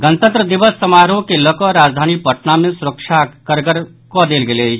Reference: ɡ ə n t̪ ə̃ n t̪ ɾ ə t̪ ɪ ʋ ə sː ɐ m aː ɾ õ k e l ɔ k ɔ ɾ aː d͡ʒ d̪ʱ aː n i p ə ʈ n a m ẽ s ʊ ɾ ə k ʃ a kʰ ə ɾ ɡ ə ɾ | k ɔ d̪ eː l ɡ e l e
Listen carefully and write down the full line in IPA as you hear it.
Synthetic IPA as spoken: ɡ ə n t̪ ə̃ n t̪ ɾ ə d̪ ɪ ʋ ə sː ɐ m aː ɾ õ k e l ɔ k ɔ ɾ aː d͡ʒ d̪ʱ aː n i p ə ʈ n a m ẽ s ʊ ɾ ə k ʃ a k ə ɾ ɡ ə ɾ | k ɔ d̪ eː l ɡ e l e